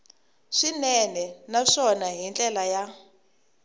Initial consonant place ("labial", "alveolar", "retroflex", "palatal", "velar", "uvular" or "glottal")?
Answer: retroflex